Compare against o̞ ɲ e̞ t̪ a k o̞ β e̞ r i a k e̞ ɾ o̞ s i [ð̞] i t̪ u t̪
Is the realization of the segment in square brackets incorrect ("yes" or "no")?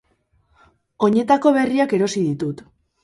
no